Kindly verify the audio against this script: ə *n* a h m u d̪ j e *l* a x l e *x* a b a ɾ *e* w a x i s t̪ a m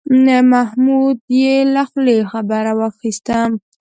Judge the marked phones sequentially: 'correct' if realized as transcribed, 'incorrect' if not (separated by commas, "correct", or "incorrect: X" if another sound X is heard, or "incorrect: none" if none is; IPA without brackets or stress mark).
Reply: incorrect: m, correct, correct, incorrect: a